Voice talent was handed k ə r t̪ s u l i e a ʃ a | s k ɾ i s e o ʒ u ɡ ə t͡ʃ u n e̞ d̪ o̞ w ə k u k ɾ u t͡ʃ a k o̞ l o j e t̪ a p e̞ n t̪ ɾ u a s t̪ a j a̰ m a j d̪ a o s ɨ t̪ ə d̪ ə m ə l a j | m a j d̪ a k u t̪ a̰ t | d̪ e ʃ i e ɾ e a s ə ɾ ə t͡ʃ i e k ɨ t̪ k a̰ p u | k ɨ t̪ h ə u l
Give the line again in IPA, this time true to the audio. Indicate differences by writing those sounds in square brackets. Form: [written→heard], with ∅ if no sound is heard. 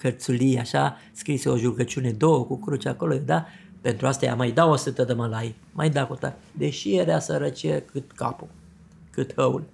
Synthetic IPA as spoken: k ə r t̪ s u l i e a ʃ a | s k ɾ i s e o ʒ u ɡ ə t͡ʃ u n e̞ d̪ o̞ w ə k u k ɾ u t͡ʃ a k o̞ l o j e [t̪→d̪] a p e̞ n t̪ ɾ u a s t̪ a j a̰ m a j d̪ a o s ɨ t̪ ə d̪ ə m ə l a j | m a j d̪ a k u t̪ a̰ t | d̪ e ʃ i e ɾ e a s ə ɾ ə t͡ʃ i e k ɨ t̪ k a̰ p u | k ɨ t̪ h ə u l